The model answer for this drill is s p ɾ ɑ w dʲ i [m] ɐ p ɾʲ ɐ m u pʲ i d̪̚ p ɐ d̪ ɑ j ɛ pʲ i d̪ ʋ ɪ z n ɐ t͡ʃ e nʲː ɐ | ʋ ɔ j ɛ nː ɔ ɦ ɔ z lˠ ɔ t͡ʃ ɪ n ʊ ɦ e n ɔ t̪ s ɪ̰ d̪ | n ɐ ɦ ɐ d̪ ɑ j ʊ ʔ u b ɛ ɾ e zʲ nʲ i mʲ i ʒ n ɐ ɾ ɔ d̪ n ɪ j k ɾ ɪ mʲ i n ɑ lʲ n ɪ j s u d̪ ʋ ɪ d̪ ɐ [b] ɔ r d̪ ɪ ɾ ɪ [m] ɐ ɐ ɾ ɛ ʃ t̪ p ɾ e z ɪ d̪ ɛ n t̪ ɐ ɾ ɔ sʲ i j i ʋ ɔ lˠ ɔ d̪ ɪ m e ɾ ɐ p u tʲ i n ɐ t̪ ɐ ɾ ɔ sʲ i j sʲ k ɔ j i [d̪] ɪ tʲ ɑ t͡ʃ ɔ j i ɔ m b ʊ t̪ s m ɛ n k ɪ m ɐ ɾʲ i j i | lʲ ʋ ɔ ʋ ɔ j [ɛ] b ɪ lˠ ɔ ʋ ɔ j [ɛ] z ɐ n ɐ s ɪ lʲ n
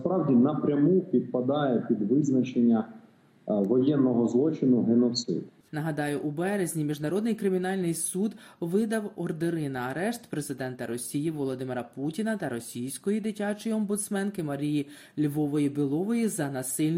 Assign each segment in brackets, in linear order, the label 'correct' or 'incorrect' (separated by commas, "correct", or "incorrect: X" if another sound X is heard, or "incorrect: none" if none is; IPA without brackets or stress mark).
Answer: incorrect: n, incorrect: w, incorrect: n, correct, incorrect: i, incorrect: i